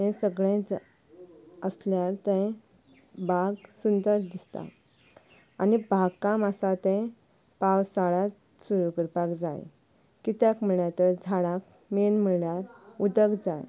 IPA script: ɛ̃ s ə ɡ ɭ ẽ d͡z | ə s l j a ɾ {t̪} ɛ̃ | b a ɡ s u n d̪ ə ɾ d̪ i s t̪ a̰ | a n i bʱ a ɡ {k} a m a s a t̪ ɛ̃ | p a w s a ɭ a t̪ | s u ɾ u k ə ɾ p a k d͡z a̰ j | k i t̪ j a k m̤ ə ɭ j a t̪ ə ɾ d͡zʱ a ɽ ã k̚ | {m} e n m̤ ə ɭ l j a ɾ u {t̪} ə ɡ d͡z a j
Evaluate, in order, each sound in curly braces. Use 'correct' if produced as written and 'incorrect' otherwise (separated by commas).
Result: correct, correct, correct, incorrect